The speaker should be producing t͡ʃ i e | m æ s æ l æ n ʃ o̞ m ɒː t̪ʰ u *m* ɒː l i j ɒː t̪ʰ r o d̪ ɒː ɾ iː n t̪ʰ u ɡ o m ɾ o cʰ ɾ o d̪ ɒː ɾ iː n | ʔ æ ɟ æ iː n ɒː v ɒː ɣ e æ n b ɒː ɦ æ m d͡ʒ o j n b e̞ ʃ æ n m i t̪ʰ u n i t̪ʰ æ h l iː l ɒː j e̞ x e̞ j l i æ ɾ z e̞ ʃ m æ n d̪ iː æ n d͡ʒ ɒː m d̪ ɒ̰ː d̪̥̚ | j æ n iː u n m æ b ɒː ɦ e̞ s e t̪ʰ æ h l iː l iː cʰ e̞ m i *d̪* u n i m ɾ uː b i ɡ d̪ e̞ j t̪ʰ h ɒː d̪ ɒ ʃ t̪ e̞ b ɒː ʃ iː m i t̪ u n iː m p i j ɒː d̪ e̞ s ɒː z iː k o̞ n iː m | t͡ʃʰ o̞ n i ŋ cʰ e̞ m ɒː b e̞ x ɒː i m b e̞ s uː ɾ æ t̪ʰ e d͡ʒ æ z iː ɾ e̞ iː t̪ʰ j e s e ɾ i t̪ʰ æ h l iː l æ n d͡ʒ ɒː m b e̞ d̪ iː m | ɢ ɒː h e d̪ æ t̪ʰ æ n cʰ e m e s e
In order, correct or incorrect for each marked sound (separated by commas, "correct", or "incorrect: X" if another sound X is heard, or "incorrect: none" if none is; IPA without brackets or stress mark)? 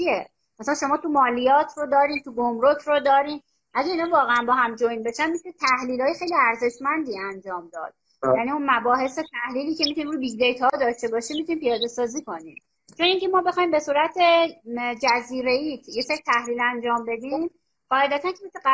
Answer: correct, incorrect: t̪